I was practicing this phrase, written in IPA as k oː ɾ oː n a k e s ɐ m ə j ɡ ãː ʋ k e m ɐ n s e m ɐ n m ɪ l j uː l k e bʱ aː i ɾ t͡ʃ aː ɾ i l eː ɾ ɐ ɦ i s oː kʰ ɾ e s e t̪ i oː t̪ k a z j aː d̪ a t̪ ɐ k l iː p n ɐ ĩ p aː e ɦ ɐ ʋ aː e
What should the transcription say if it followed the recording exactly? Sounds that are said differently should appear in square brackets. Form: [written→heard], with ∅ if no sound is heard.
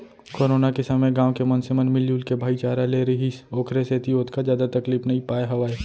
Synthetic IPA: k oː ɾ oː n a k e s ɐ m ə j ɡ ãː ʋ k e m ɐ n s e m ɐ n m ɪ l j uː l k e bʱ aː i [ɾ→∅] t͡ʃ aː ɾ [i→a] l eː ɾ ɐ ɦ i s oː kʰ ɾ e s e t̪ i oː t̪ k a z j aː d̪ a t̪ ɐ k l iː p n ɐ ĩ p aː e ɦ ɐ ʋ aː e